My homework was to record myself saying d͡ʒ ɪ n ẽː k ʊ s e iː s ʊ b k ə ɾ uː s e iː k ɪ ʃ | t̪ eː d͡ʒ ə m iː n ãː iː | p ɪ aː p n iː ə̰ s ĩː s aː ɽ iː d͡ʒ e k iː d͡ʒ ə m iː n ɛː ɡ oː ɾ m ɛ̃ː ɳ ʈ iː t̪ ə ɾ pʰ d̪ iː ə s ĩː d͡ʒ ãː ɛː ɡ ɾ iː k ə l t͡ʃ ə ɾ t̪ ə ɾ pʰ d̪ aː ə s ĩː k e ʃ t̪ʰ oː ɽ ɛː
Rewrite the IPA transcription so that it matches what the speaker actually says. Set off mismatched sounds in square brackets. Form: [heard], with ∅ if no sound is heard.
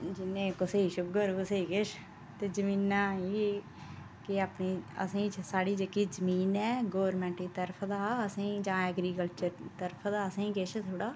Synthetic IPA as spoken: d͡ʒ ɪ n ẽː k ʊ s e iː [ʃ] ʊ b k ə ɾ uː s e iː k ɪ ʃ | t̪ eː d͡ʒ ə m iː n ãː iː | [k] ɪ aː p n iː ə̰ s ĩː s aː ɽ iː d͡ʒ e k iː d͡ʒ ə m iː n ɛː ɡ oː ɾ m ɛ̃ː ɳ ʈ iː t̪ ə ɾ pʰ d̪ [aː] ə s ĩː d͡ʒ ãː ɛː ɡ ɾ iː k ə l t͡ʃ ə ɾ t̪ ə ɾ pʰ d̪ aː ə s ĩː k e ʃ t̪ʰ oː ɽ [aː]